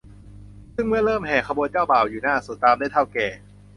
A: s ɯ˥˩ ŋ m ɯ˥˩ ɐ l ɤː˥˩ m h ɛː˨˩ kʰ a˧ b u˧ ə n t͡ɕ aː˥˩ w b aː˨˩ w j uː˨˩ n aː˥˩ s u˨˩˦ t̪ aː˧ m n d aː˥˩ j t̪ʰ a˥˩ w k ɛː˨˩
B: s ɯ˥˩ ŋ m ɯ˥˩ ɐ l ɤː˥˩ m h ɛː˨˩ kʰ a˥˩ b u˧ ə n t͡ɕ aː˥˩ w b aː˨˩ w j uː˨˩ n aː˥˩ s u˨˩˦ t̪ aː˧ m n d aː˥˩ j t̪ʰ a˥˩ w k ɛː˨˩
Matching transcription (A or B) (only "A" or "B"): A